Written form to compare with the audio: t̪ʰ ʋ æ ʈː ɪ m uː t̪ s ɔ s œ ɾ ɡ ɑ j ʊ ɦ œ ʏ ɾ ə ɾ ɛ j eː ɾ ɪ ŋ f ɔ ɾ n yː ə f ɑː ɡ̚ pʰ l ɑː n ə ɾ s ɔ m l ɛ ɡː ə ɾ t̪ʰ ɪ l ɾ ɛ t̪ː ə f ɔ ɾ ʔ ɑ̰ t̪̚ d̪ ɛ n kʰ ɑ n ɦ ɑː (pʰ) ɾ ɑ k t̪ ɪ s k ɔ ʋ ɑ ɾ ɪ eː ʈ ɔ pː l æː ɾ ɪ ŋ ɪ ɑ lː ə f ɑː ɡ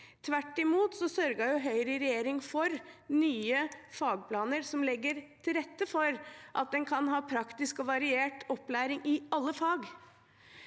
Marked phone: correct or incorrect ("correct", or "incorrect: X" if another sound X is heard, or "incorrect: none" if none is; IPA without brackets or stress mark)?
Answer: correct